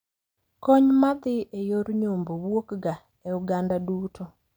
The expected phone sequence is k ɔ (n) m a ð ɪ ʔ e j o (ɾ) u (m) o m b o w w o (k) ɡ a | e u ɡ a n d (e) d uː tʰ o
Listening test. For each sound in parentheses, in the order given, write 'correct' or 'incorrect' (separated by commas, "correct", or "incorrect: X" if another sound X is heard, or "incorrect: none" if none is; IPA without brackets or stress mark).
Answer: incorrect: ɲ, correct, incorrect: ɲ, correct, incorrect: a